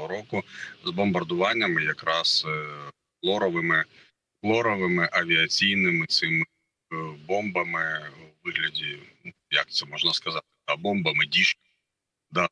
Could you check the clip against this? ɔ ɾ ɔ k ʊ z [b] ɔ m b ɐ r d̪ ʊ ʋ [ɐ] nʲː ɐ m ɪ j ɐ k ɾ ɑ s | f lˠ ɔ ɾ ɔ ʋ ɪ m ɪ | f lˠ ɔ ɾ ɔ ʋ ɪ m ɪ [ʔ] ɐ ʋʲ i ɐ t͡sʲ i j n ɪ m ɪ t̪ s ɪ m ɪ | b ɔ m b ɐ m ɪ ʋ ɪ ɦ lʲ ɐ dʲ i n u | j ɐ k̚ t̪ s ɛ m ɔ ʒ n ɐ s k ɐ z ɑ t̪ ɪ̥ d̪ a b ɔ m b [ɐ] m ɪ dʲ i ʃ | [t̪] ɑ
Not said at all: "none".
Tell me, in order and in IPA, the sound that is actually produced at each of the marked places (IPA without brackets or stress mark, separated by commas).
b, ɑ, ʔ, ɐ, d̪